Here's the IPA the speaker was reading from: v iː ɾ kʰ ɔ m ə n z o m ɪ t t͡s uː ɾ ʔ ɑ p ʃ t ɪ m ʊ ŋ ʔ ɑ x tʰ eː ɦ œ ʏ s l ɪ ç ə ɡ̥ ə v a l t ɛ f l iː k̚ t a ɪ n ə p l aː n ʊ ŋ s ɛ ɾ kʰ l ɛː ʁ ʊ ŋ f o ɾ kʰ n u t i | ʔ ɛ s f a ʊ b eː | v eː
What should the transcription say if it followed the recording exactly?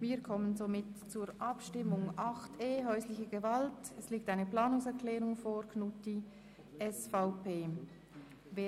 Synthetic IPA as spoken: v iː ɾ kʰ ɔ m ə n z o m ɪ t t͡s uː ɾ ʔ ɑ p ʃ t ɪ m ʊ ŋ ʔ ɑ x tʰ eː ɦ œ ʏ s l ɪ ç ə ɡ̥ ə v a l t ɛ s l iː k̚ t a ɪ n ə p l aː n ʊ ŋ s ɛ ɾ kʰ l ɛː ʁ ʊ ŋ f o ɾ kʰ n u t i | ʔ ɛ s f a ʊ p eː | v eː